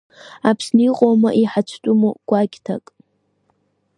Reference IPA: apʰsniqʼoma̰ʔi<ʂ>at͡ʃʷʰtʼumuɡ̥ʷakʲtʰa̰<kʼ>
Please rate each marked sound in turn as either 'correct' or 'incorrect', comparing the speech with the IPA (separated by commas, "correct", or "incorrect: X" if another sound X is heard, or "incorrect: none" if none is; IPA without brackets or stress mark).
incorrect: ħ, correct